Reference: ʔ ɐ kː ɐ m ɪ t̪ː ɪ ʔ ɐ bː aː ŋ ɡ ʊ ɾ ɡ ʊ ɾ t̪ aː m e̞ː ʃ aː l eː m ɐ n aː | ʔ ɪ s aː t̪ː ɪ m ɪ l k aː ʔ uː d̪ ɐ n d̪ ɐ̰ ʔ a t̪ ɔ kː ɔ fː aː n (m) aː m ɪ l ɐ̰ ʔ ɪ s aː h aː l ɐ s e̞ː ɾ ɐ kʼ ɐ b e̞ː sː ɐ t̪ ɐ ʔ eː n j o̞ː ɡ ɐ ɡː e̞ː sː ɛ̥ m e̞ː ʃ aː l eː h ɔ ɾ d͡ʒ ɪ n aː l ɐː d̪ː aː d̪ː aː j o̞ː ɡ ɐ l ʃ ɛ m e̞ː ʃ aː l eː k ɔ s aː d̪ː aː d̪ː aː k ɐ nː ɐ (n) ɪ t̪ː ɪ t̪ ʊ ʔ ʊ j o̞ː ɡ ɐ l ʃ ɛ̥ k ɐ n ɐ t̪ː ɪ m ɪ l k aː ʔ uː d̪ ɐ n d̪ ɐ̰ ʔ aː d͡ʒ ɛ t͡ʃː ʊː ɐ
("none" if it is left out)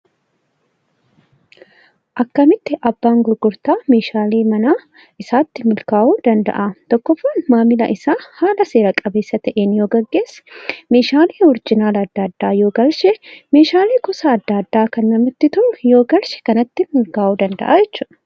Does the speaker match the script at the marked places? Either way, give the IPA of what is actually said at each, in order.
m, m

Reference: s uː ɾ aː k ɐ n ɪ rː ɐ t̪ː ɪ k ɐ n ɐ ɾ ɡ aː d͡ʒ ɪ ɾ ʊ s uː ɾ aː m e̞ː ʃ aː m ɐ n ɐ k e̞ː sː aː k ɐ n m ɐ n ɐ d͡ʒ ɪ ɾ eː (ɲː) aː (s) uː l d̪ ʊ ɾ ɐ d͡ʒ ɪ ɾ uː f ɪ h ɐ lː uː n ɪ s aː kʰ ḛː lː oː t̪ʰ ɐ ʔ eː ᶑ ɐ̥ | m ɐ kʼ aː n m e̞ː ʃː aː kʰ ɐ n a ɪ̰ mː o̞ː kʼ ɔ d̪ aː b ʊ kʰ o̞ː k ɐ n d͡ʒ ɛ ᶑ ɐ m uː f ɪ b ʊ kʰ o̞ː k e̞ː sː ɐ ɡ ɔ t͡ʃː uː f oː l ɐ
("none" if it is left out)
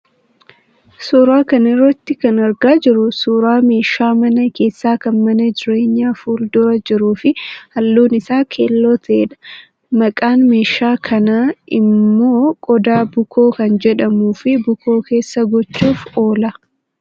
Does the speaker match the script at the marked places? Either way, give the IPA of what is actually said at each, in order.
ɲː, f

